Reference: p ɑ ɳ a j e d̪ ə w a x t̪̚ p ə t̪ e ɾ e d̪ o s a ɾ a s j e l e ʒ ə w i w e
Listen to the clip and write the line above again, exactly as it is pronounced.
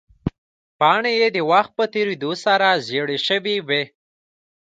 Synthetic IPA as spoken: p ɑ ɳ e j e d̪ ə w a x t̪̚ p ə t̪ e ɾ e d̪ o s a ɾ a z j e ɽ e ʃ ə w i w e